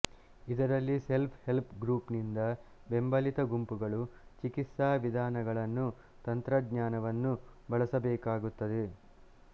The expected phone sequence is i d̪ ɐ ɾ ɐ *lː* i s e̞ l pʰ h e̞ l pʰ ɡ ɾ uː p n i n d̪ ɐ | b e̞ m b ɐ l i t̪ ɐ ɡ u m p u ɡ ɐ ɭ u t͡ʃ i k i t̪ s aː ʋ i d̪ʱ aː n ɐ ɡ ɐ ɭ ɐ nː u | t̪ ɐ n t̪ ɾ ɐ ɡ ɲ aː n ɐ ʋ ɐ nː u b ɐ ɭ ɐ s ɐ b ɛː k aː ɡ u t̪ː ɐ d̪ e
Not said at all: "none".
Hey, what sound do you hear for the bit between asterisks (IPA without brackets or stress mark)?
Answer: lː